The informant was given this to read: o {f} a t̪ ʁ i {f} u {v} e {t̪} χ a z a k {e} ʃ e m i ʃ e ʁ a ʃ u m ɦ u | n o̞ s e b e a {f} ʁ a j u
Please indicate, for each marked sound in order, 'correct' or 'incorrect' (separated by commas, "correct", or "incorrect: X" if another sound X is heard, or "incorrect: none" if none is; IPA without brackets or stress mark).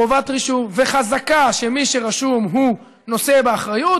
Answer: incorrect: v, incorrect: ʃ, correct, incorrect: none, incorrect: a, incorrect: χ